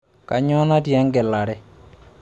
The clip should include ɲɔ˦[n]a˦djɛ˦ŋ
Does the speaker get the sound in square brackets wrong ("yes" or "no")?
no